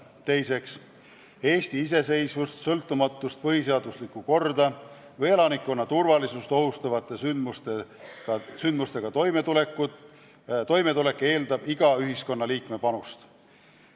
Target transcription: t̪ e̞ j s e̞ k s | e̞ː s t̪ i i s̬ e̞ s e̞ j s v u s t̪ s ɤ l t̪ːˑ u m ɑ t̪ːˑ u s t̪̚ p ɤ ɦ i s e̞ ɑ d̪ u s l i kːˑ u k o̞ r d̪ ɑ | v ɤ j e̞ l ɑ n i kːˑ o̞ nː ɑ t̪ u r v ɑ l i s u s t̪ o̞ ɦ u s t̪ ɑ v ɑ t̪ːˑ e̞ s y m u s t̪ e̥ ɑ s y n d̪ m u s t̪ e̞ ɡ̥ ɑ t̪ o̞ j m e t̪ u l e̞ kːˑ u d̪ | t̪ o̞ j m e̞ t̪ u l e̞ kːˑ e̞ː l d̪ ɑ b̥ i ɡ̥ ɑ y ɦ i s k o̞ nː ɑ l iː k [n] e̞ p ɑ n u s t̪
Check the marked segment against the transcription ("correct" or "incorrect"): incorrect